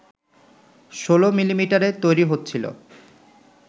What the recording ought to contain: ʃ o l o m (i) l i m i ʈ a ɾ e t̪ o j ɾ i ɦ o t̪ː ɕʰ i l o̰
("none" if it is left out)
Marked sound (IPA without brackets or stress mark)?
i